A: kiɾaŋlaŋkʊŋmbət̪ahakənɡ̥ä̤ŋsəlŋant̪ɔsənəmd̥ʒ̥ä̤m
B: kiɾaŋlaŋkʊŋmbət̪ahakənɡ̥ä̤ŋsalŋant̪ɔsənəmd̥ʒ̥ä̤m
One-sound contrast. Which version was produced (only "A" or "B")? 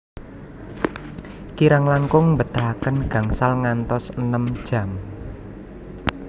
B